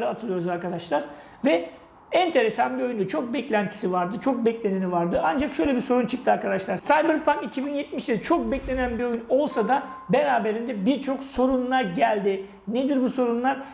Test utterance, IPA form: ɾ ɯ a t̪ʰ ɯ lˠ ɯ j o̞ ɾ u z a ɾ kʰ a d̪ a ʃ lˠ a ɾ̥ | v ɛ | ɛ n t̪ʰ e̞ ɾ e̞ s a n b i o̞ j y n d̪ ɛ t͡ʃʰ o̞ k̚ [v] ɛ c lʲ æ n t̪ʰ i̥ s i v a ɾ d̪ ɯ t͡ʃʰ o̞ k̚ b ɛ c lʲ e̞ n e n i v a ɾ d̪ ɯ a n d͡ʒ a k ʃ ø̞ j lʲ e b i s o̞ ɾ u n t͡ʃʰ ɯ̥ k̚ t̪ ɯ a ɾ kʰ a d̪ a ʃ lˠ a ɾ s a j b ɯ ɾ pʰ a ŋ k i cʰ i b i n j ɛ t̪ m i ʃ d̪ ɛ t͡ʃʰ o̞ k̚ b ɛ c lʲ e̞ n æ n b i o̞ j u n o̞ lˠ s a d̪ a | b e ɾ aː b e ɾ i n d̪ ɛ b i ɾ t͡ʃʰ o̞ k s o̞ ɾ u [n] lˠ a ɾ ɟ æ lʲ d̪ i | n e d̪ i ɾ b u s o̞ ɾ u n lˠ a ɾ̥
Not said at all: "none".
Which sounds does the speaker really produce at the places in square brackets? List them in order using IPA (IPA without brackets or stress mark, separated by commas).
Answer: b, n